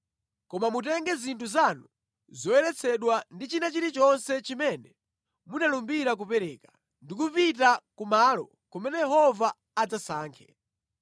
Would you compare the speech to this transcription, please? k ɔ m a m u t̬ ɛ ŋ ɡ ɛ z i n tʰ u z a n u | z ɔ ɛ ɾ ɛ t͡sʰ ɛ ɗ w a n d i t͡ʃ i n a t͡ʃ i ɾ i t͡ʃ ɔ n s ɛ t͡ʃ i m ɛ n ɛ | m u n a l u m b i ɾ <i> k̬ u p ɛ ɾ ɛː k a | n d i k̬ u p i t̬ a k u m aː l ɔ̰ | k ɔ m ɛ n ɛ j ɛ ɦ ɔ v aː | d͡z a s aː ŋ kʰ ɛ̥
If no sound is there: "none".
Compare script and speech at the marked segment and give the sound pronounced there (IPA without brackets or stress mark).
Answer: a